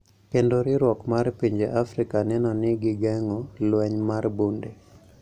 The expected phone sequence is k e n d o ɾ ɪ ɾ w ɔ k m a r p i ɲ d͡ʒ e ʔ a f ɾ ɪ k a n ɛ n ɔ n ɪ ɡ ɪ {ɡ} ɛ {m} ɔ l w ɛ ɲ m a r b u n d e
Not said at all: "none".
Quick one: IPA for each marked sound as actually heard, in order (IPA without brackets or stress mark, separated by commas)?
ɡ, ŋ